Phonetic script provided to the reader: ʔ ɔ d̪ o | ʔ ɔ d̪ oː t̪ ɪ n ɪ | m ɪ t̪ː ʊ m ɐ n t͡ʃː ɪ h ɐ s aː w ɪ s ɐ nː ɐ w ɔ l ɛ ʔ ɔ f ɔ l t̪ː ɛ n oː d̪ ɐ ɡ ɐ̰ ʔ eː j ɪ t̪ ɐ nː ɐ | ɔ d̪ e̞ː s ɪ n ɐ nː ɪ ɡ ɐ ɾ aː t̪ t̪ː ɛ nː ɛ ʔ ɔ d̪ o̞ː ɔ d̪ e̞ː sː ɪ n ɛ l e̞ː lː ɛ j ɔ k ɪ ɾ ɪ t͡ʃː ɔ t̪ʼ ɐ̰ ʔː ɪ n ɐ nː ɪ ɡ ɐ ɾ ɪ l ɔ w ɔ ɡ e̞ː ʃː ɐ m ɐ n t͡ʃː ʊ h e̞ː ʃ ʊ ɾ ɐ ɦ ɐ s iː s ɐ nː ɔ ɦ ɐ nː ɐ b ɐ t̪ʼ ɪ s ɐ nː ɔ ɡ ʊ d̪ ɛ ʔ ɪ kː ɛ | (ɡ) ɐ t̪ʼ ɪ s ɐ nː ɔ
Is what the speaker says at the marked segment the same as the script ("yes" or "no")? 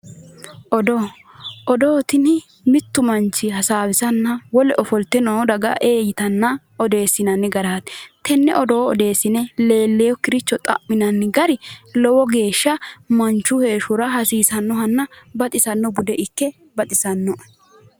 no